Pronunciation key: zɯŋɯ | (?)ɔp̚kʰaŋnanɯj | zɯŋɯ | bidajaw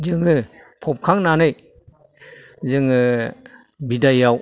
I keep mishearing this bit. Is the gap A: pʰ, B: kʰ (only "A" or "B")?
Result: A